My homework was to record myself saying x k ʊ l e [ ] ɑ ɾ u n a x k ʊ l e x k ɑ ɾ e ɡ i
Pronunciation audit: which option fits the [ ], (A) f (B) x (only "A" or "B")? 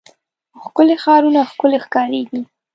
B